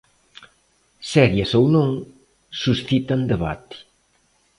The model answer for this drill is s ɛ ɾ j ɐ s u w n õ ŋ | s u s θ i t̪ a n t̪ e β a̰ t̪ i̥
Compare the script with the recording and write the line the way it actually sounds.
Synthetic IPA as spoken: s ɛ ɾ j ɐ s o w n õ ŋ | s u s θ i t̪ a n d̪ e β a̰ t̪ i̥